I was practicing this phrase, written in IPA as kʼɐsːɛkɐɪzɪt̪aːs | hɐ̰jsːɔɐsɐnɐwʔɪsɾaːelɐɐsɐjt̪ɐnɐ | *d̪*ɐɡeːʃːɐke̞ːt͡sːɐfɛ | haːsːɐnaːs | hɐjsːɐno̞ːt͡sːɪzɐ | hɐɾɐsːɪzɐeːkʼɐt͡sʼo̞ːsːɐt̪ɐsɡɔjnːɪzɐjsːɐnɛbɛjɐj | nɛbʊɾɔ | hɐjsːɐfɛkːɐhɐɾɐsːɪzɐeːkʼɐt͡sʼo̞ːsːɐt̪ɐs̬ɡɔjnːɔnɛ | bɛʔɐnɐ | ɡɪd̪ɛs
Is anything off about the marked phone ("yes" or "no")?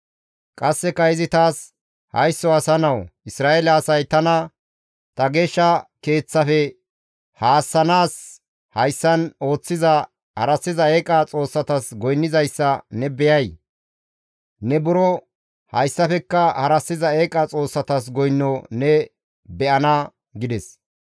yes